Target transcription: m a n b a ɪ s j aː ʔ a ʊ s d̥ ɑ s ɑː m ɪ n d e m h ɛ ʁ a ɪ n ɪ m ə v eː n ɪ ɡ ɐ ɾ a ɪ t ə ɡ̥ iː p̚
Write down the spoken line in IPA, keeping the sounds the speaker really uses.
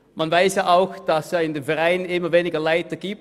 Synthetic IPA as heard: m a n v a ɪ s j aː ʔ a ʊ x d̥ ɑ s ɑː ɪ n d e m f ɛ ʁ a ɪ n ɪ m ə v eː n ɪ ɡ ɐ l a ɪ t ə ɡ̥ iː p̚